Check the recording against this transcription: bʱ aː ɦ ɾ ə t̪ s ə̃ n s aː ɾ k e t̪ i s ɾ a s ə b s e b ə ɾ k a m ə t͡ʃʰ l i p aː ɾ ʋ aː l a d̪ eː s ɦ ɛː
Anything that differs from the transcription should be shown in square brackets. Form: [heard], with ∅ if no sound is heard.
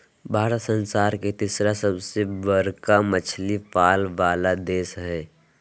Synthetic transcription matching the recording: bʱ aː [∅] ɾ ə t̪ s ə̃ n s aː ɾ k e t̪ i s ɾ a s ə b s e b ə ɾ k a m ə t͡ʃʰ l i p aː [l] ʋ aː l a d̪ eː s ɦ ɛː